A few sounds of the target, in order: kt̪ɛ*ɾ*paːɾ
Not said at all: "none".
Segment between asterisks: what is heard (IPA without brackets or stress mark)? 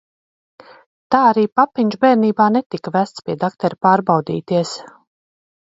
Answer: ɾ